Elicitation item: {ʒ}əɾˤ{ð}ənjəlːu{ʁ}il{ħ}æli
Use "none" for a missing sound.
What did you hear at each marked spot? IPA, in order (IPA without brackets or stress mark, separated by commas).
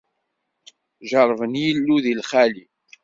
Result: ʒ, v, ð, χ